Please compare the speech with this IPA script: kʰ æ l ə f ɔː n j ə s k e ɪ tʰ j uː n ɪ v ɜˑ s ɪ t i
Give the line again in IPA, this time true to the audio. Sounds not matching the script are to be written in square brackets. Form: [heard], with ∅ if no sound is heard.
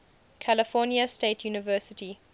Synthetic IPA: kʰ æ l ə f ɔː n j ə s [t] e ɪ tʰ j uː n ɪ v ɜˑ s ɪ t i